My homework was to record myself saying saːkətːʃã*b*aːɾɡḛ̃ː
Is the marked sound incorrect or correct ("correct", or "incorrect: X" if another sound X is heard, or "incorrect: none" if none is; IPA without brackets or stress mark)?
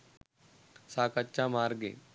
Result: incorrect: m